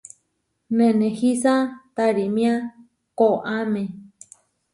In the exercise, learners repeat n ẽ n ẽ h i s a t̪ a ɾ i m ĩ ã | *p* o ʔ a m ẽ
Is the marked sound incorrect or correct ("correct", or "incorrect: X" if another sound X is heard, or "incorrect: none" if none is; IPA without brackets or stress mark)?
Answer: incorrect: k